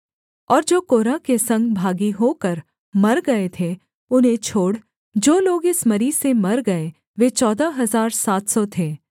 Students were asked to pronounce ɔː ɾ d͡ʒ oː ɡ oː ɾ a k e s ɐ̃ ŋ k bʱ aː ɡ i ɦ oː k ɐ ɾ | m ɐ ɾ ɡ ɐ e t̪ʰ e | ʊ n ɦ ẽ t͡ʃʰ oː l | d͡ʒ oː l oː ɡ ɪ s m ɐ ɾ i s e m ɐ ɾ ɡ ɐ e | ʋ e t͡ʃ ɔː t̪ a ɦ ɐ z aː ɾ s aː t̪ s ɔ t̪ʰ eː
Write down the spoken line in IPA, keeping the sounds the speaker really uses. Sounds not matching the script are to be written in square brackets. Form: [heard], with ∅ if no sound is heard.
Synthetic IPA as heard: ɔː ɾ d͡ʒ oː [k] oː ɾ a k e s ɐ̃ ŋ [ɡ] bʱ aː ɡ i ɦ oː k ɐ ɾ | m ɐ ɾ ɡ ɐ e t̪ʰ e | ʊ n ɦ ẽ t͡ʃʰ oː [ɽ] | d͡ʒ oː l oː ɡ ɪ s m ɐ ɾ i s e m ɐ ɾ ɡ ɐ e | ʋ e t͡ʃ ɔː [d̪] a ɦ ɐ z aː ɾ s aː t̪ s ɔ t̪ʰ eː

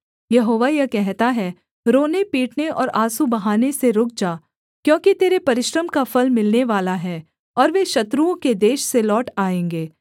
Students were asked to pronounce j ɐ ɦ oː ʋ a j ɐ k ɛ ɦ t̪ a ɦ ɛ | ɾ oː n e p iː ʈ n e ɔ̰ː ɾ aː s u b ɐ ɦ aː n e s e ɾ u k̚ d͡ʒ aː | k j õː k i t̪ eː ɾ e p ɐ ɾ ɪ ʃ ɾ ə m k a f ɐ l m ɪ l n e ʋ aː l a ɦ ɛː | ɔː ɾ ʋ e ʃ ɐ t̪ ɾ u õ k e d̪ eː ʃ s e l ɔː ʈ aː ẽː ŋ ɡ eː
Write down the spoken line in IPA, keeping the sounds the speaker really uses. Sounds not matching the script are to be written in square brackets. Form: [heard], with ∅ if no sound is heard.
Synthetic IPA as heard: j ɐ ɦ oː ʋ a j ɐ k ɛ ɦ t̪ a ɦ ɛ | ɾ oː n e p iː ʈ n e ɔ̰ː ɾ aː s u b ɐ ɦ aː n e s e ɾ [ʊ] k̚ d͡ʒ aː | k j õː k i t̪ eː ɾ e p ɐ ɾ ɪ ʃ ɾ ə m k a f ɐ l m ɪ l n e ʋ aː l a ɦ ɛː | ɔː ɾ ʋ e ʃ ɐ t̪ ɾ u õ k e d̪ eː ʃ s e l ɔː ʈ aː ẽː ŋ ɡ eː

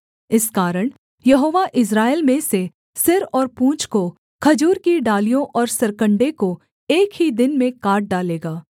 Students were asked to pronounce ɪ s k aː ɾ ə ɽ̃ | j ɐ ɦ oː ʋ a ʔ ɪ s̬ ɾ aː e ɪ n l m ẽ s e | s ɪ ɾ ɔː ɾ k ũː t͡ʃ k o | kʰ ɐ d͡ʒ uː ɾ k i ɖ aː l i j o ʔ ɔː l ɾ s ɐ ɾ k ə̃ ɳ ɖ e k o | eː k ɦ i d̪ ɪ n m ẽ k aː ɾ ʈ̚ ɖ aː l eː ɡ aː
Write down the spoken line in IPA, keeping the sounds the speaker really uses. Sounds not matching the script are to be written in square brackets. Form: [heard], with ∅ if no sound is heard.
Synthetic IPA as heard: ɪ s k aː ɾ ə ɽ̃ | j ɐ ɦ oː ʋ a ʔ ɪ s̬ ɾ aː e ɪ [∅] l m ẽ s e | s ɪ ɾ ɔː ɾ [p] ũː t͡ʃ k o | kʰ ɐ d͡ʒ uː ɾ k i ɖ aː l i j [õ] ʔ ɔː [∅] ɾ s ɐ ɾ k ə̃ ɳ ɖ e k o | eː k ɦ i d̪ ɪ n m ẽ k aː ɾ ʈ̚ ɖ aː l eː ɡ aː

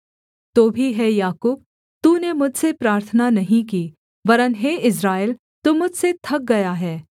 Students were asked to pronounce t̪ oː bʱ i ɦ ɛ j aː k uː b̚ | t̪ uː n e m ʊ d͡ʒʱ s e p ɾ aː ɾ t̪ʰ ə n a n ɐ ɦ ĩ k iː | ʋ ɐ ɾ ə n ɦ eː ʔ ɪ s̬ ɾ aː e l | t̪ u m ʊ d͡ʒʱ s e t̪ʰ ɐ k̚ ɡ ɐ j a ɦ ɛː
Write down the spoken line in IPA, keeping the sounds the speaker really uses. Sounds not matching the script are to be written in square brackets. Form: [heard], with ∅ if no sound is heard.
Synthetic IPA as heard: t̪ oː bʱ i ɦ ɛ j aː k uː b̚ | t̪ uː n e m ʊ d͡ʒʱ s e p ɾ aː ɾ t̪ʰ ə n a n ɐ ɦ ĩ k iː | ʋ ɐ ɾ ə n ɦ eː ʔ ɪ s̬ ɾ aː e l | t̪ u m ʊ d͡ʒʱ s e t̪ʰ ɐ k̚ ɡ ɐ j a ɦ ɛː

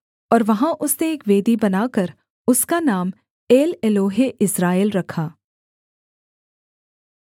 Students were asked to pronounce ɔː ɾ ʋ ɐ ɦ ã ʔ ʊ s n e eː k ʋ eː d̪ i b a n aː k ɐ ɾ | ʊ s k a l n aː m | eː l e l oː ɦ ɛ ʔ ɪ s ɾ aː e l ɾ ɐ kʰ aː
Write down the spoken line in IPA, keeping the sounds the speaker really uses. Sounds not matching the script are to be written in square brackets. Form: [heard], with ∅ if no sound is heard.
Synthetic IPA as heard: ɔː ɾ ʋ ɐ ɦ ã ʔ ʊ s n e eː k ʋ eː d̪ i b [ɐ] n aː k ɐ ɾ | ʊ s k a [∅] n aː m | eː l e l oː ɦ [e] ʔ ɪ s ɾ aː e l ɾ ɐ kʰ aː

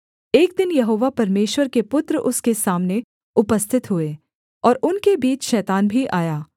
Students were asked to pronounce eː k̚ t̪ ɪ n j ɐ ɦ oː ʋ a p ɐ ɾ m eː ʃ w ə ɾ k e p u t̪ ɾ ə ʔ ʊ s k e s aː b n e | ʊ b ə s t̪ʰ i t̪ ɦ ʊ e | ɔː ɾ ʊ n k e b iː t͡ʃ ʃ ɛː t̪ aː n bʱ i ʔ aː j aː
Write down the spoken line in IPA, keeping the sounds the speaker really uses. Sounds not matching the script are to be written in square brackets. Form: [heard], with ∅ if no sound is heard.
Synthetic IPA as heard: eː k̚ [d̪] ɪ n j ɐ ɦ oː ʋ a p ɐ ɾ m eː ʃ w ə ɾ k e p [ʊ] t̪ ɾ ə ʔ ʊ s k e s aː [m] n e | ʊ [p] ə s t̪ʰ [ɪ] t̪ ɦ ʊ e | ɔː ɾ ʊ n k e b iː t͡ʃ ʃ ɛː t̪ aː n bʱ i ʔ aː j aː

